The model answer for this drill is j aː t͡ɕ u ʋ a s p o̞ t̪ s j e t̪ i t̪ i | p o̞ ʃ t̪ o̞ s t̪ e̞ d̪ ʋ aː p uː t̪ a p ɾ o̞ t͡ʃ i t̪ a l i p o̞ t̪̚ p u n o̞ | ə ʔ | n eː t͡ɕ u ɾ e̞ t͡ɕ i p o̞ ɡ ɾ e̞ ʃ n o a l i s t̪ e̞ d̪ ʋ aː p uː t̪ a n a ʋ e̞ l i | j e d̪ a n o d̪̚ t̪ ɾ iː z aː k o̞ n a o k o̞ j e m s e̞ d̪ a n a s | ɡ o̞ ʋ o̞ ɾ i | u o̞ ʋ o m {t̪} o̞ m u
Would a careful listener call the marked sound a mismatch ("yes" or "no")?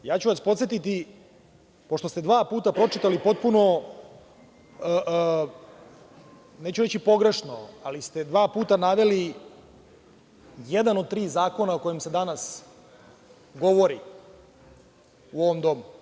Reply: yes